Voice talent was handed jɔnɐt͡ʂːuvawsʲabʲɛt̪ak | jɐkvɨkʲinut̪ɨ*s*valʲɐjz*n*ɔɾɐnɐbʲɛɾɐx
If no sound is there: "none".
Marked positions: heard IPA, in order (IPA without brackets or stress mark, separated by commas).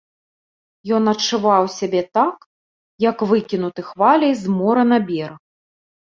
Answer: x, m